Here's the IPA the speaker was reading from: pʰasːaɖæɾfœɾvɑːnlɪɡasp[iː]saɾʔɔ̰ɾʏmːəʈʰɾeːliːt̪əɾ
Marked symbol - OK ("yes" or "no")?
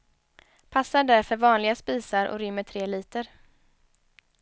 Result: yes